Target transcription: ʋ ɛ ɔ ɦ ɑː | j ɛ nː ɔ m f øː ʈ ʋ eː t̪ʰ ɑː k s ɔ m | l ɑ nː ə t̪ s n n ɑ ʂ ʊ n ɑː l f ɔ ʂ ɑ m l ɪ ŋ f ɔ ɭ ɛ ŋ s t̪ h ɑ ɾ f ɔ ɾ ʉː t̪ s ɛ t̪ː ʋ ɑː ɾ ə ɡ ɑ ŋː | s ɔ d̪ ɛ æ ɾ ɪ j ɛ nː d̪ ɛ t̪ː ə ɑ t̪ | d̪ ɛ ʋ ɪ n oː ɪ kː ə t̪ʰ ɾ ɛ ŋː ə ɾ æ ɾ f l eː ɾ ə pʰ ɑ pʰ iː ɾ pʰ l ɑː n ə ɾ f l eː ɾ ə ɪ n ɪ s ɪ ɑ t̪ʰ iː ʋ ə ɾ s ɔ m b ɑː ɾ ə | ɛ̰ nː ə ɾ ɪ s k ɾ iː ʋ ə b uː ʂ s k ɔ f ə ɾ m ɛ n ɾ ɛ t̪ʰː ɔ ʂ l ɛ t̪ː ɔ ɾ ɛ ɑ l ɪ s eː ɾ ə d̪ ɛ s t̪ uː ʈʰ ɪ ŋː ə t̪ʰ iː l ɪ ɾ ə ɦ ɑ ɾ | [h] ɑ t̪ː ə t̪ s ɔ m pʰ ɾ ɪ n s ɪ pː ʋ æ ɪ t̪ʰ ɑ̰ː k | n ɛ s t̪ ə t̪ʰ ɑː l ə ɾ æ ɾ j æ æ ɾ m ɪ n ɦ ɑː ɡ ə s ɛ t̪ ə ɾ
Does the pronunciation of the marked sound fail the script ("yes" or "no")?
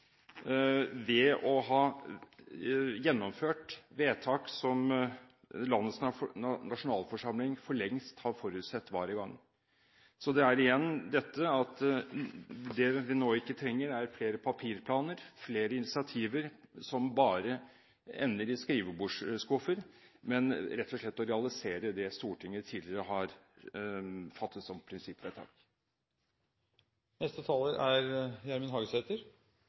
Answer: yes